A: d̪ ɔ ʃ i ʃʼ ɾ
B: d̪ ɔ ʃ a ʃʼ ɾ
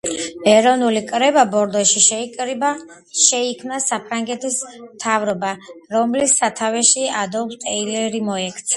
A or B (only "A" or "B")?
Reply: A